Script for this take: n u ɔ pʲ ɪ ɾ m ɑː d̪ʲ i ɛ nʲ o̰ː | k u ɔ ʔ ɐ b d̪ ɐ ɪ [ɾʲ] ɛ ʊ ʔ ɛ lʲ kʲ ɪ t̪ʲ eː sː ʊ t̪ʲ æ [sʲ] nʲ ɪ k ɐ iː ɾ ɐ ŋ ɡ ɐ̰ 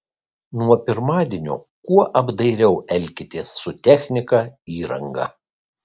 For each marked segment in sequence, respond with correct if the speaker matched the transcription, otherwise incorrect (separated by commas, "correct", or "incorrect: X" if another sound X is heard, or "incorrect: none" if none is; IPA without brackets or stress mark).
correct, incorrect: xʲ